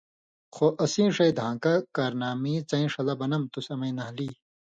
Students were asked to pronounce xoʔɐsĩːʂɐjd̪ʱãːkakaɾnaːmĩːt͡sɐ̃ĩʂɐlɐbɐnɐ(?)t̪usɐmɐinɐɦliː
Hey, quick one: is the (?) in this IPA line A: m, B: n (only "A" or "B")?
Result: A